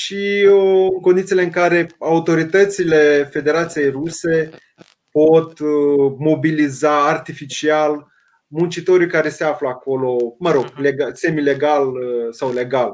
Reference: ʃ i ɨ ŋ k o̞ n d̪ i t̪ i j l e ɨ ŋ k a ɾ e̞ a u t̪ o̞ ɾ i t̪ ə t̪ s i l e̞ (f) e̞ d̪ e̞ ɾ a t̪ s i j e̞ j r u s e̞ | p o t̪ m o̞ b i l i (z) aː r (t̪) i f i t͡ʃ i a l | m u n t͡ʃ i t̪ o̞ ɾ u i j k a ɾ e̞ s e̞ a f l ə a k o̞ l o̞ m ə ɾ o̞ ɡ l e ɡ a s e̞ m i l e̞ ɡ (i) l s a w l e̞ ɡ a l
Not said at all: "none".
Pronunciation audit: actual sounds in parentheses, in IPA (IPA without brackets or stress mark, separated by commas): f, z, t̪, a